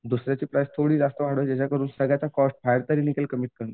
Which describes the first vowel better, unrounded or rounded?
rounded